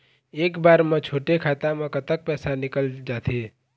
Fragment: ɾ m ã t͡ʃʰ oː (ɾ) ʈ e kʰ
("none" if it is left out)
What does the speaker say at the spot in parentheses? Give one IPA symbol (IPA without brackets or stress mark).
none